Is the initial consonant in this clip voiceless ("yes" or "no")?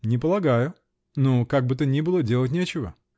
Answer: no